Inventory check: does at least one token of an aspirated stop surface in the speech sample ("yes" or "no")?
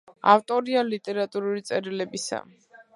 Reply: no